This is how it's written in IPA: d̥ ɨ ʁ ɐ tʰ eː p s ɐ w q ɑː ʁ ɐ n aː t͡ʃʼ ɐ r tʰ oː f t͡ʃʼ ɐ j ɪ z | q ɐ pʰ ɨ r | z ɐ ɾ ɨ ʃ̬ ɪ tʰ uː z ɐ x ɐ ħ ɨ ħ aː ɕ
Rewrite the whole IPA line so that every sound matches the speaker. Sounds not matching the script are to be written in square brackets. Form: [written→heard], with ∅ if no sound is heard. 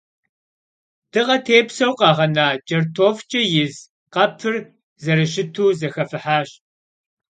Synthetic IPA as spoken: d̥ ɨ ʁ ɐ tʰ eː p s ɐ w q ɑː ʁ ɐ n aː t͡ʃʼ ɐ r tʰ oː f t͡ʃʼ ɐ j ɪ z | q ɐ pʰ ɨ r | z ɐ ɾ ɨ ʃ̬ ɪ tʰ uː z ɐ x ɐ [ħ→f] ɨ ħ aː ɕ